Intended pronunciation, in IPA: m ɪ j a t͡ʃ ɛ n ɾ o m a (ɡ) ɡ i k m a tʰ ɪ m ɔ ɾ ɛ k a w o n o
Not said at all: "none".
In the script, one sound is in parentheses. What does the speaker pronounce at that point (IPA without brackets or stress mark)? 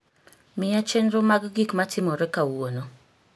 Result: ɡ